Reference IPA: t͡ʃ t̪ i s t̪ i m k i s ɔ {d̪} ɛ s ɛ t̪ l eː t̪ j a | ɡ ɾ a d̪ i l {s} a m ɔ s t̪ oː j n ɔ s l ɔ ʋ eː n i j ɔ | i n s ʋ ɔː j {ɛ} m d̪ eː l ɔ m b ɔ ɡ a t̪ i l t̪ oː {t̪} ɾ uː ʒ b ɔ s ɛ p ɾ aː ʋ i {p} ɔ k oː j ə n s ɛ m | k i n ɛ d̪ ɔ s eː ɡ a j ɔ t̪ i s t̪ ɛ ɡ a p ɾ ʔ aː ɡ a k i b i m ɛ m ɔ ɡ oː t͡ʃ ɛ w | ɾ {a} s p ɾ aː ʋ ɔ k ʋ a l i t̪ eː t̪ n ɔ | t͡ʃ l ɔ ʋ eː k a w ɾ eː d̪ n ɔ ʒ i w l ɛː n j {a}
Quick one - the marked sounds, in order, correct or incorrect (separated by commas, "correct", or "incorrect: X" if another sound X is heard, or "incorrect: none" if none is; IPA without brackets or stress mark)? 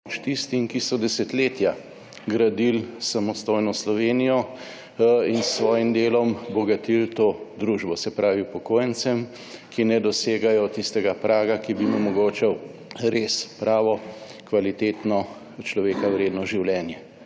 correct, correct, incorrect: i, incorrect: d̪, correct, incorrect: e, incorrect: ɛ